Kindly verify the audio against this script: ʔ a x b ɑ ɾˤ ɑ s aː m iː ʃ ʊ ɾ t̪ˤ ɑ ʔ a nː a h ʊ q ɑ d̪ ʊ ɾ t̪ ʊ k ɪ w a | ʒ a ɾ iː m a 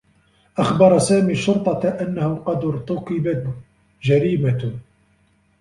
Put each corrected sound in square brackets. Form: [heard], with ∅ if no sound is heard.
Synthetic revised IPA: ʔ a x b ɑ ɾˤ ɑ s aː m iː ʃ ʊ ɾ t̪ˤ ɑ ʔ a nː a h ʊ q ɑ d̪ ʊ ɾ t̪ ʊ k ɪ [b] a | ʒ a ɾ iː m a